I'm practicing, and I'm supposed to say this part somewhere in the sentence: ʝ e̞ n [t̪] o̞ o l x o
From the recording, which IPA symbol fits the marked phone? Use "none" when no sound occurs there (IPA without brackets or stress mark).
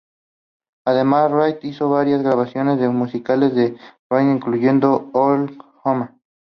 d̪